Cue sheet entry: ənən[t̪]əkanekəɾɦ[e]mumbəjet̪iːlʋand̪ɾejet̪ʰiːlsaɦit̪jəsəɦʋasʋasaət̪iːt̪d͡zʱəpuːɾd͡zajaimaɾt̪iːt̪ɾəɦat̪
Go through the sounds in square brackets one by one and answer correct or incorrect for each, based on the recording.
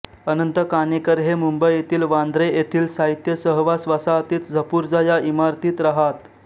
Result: correct, correct

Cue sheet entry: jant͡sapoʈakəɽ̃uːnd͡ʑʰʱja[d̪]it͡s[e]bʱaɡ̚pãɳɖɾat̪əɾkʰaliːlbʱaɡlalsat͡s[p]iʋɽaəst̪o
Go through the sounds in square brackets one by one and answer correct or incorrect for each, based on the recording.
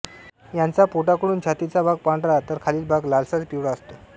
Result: incorrect: t̪, incorrect: a, correct

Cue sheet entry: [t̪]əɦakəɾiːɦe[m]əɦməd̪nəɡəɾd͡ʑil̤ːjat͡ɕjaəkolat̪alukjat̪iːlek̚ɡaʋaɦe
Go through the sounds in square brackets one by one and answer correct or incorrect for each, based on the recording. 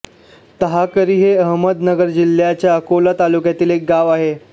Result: correct, incorrect: none

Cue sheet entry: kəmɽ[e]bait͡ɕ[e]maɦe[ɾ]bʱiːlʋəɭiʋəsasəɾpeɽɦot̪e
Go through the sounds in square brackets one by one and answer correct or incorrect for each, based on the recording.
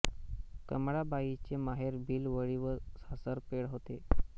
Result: incorrect: a, correct, correct

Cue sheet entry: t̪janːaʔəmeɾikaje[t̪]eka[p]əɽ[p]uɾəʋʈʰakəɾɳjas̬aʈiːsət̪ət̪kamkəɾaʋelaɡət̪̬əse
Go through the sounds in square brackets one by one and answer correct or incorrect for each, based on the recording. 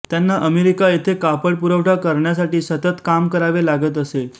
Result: incorrect: t̪ʰ, correct, correct

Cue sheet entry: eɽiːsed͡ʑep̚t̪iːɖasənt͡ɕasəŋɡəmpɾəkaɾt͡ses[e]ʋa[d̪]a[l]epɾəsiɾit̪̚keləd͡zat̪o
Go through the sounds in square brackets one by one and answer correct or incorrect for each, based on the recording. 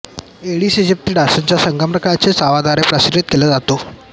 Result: incorrect: a, correct, incorrect: ɾ

